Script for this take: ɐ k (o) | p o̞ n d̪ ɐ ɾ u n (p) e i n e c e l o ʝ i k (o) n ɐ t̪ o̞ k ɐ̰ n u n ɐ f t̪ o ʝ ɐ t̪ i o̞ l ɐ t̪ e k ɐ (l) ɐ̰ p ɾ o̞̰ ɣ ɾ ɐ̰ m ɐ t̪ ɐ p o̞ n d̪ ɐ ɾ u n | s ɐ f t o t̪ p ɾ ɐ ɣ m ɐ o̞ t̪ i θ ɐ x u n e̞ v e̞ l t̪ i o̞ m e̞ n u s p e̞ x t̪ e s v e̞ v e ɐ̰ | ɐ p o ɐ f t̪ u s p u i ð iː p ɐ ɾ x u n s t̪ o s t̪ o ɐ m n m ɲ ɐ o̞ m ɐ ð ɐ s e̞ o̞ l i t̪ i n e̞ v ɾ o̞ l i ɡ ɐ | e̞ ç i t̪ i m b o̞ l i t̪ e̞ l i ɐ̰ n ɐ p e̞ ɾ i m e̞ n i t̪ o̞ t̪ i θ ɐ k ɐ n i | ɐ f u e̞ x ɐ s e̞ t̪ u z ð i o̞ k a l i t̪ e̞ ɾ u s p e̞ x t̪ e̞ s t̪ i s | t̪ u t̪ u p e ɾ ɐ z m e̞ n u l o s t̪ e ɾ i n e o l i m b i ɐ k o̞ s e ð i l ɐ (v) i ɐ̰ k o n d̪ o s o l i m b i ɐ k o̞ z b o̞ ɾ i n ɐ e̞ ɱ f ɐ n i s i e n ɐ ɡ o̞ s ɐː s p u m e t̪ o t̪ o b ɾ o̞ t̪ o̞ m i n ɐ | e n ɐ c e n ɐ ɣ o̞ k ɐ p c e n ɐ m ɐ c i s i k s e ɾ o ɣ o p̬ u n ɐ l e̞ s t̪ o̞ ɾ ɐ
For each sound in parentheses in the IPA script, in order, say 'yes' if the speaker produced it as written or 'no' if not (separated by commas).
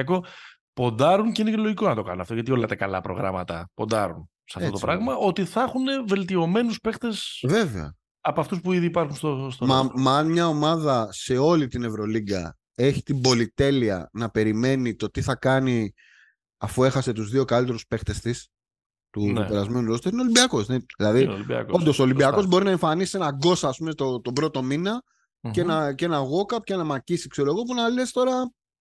yes, no, yes, yes, no